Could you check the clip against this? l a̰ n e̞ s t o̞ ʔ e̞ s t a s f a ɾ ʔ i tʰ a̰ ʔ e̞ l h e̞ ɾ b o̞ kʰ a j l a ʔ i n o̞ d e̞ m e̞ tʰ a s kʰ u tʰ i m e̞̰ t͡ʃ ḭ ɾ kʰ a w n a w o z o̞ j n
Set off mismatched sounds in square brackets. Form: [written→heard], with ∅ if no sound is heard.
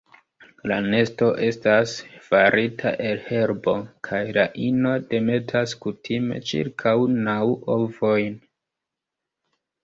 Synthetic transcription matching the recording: l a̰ n e̞ s t o̞ ʔ e̞ s t a s f a ɾ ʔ i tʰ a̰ ʔ e̞ l h e̞ ɾ b o̞ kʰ a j l a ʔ i n o̞ d e̞ m e̞ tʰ a s [kʰ→k] u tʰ i m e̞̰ t͡ʃ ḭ ɾ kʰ a w n a w o [z→v] o̞ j n